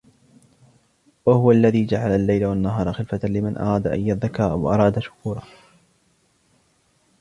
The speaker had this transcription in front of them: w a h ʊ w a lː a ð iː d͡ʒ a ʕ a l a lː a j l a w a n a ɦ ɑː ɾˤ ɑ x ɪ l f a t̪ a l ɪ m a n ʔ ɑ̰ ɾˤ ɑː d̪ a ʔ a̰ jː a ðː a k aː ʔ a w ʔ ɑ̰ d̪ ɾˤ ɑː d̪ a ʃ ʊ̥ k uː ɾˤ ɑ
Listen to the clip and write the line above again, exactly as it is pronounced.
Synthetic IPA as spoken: w a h ʊ w a lː a ð iː d͡ʒ a ʕ a l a lː a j l a w a nː a ɦ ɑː ɾˤ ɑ x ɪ l f a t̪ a l ɪ m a n ʔ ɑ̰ ɾˤ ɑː d̪ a ʔ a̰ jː a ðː a k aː ʔ a w ʔ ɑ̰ ɾˤ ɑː d̪ a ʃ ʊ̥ k uː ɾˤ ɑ